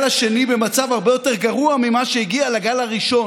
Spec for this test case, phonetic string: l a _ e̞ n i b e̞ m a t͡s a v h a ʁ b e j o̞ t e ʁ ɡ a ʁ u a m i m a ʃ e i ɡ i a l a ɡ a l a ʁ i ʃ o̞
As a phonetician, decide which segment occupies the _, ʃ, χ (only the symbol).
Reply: ʃ